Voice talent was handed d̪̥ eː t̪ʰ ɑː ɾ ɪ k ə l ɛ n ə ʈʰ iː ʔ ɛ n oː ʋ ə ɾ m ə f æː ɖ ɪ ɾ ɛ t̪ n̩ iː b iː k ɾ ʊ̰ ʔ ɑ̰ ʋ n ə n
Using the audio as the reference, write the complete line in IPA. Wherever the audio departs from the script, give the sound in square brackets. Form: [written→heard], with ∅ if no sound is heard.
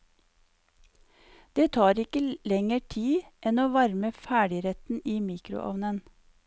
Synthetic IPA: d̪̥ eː t̪ʰ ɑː ɾ ɪ k ə l ɛ [n→ŋ] ə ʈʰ iː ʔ ɛ n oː ʋ [ə→ɑ] ɾ m ə f æː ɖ ɪ ɾ ɛ t̪ n̩ iː [b→m] iː k ɾ ʊ̰ ʔ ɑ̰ ʋ n ə n

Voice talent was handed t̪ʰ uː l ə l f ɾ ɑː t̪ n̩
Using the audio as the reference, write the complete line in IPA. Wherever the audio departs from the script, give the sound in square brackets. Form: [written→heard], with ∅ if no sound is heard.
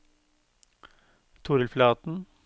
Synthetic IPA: t̪ʰ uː [l→ɾ] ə l f [ɾ→l] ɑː t̪ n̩

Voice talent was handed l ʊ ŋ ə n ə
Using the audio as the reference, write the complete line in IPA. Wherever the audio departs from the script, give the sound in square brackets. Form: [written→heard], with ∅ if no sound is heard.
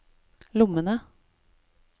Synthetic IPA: l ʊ [ŋ→m] ə n ə

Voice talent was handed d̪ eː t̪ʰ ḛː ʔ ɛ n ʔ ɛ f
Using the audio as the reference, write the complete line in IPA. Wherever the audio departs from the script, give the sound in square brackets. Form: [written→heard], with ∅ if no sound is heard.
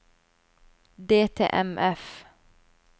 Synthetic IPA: d̪ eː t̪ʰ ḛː ʔ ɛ [n→m] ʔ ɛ f

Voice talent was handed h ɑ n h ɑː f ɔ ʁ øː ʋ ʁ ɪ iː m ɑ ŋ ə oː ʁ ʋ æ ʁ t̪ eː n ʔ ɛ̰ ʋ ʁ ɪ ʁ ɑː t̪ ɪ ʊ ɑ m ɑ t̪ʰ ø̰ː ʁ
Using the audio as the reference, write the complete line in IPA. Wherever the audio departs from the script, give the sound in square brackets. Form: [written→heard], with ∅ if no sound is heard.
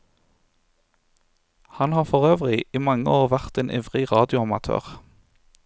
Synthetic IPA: h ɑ n h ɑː f ɔ ʁ øː ʋ ʁ ɪ iː m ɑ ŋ ə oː ʁ ʋ æ ʁ t̪ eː n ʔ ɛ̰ ʋ ʁ ɪ ʁ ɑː [t̪→d̪] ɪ ʊ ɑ m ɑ t̪ʰ ø̰ː ʁ

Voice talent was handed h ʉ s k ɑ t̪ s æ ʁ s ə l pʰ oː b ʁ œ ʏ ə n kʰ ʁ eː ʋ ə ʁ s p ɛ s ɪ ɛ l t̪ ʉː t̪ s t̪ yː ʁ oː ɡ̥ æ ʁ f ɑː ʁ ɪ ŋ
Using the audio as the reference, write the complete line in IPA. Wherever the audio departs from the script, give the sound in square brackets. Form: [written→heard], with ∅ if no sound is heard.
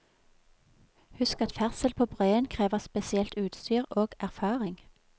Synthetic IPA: h ʉ s k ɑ t̪ [s→f] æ ʁ s ə l pʰ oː b ʁ œ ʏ ə n kʰ ʁ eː ʋ ə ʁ s p ɛ s ɪ ɛ l t̪ ʉː t̪ s t̪ yː ʁ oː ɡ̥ æ ʁ f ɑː ʁ ɪ ŋ

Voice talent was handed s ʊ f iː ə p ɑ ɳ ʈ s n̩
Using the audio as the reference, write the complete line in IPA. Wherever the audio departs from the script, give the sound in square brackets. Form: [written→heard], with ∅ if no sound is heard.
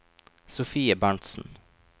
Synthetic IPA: s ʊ f iː ə [p→b] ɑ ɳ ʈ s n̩

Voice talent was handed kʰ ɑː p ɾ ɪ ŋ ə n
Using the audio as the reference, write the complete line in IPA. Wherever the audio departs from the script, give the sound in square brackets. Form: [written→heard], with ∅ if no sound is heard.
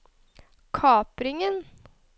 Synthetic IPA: kʰ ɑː p ɾ ɪ ŋ ə n

